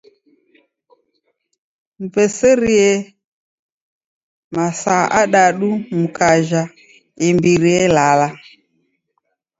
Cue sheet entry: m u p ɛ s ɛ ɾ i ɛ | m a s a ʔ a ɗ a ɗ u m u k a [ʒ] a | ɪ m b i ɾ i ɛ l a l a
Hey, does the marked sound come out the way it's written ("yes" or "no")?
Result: yes